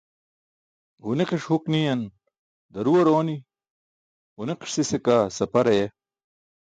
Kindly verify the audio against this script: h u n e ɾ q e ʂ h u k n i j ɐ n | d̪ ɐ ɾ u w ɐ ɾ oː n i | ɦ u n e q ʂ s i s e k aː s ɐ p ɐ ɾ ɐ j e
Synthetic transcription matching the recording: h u n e q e ʂ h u k n i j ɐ n | d̪ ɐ ɾ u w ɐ ɾ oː n i | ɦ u n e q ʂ s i s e k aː s ɐ p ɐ ɾ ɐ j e